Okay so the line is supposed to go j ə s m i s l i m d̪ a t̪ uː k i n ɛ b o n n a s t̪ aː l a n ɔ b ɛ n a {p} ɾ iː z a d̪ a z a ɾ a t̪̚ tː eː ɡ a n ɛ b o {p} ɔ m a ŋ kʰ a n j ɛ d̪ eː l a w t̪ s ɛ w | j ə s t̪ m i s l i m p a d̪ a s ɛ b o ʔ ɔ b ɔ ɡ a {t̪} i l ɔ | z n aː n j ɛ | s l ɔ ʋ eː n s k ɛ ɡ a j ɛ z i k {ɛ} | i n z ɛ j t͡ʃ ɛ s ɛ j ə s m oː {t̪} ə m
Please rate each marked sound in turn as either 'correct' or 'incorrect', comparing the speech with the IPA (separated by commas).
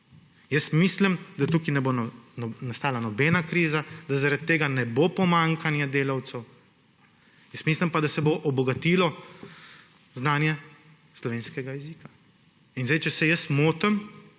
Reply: incorrect, correct, correct, incorrect, correct